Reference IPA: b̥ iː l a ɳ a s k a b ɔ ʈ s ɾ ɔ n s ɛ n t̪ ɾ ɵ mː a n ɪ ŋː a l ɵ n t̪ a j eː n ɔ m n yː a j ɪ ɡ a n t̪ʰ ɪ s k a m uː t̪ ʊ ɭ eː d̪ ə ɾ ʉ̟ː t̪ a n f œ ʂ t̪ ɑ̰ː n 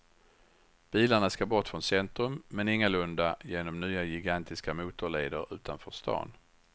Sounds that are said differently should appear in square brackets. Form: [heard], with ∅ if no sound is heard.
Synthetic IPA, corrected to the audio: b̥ iː l a ɳ a s k a b ɔ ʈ [f] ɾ ɔ n s ɛ n t̪ ɾ ɵ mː [ɛ] n ɪ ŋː a l ɵ n [d̪] a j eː n ɔ m n yː a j ɪ ɡ a n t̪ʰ ɪ s k a m uː t̪ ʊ ɭ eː d̪ ə ɾ ʉ̟ː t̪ a n f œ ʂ t̪ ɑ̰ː n